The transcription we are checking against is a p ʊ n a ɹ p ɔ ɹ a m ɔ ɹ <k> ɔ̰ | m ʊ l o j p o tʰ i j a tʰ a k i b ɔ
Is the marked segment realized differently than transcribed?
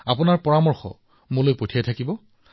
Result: yes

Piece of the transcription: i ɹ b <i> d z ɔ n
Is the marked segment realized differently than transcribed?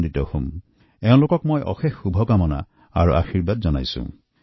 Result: yes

